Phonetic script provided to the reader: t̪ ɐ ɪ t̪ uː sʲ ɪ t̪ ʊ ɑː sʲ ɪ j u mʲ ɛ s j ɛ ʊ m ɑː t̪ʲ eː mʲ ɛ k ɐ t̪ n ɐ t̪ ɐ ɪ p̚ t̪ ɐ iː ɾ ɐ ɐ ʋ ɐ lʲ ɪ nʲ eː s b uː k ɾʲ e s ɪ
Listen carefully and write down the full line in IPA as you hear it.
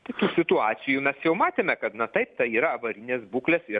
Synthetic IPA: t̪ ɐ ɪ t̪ uː sʲ ɪ t̪ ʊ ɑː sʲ ɪ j u mʲ ɛ s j ɛ ʊ m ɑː t̪ʲ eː mʲ ɛ k ɐ t̪ n ɐ t̪ ɐ ɪ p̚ t̪ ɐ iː ɾ ɐ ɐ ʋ ɐ ɾʲ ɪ nʲ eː s b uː k lʲ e s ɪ